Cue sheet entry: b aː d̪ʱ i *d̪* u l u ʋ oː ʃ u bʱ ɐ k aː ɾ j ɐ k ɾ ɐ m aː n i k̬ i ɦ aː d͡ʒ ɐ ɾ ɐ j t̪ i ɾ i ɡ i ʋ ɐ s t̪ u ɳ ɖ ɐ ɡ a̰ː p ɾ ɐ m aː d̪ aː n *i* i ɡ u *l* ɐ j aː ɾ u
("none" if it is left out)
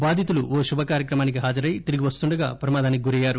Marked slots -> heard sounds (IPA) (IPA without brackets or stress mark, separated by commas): t̪, i, ɾ